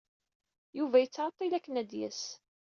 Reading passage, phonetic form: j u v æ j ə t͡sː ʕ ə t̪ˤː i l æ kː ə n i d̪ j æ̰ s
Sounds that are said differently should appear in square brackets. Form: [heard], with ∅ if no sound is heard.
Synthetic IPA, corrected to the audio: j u v æ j ə t͡sː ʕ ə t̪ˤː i l æ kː ə n [æ] d̪ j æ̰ s